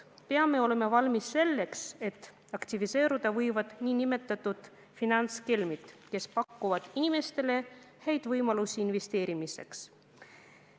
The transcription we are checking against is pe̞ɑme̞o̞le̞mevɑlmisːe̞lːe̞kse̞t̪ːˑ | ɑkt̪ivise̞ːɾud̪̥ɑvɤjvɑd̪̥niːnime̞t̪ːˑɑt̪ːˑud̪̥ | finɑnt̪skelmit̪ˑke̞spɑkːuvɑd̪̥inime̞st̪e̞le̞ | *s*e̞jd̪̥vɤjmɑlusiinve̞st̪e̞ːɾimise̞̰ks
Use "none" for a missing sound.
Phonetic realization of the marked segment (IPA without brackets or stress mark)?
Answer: h